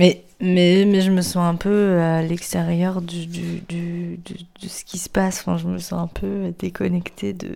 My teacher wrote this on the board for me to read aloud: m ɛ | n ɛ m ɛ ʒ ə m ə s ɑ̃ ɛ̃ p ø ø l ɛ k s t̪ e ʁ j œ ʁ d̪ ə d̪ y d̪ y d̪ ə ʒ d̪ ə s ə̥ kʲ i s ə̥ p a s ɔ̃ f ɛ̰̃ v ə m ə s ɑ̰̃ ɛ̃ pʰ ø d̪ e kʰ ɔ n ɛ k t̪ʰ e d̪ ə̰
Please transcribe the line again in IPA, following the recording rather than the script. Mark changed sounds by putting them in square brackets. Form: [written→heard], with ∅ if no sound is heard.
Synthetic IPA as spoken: m ɛ | [n→m] ɛ m ɛ ʒ ə m ə s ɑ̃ ɛ̃ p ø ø l ɛ k s t̪ e ʁ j œ ʁ d̪ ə d̪ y d̪ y d̪ ə [ʒ→∅] d̪ ə s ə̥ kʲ i s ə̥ p a s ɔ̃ f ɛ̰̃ [v→ʒ] ə m ə s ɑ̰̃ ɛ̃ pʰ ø d̪ e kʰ ɔ n ɛ k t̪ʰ e d̪ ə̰